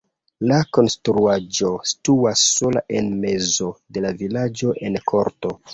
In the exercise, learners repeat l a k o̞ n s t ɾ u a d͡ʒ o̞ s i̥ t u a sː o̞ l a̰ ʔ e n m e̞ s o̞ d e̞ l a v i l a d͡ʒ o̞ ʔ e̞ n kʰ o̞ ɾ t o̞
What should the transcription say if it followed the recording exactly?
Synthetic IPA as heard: l a k o̞ n s t ɾ u a d͡ʒ o̞ s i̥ t u a sː o̞ l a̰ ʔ e n m e̞ z o̞ d e̞ l a v i l a d͡ʒ o̞ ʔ e̞ n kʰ o̞ ɾ t o̞